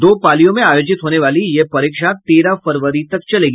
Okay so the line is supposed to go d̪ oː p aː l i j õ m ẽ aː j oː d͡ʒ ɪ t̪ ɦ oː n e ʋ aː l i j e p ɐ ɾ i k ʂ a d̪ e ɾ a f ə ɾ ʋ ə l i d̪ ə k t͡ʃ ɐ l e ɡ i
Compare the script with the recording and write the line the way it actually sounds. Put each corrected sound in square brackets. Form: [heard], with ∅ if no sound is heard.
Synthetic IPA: d̪ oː p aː l i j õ m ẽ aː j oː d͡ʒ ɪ t̪ ɦ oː n e ʋ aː l i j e p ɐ ɾ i k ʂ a [t̪] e ɾ a f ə ɾ ʋ ə [ɾ] i [t̪] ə k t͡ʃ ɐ l e ɡ i